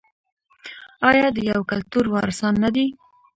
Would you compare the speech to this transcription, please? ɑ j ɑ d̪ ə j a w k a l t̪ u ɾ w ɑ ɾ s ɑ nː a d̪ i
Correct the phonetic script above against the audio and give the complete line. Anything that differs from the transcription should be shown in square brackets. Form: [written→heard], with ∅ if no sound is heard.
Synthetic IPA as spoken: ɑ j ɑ d̪ ə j a w k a l t̪ u ɾ w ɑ ɾ s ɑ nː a d̪ i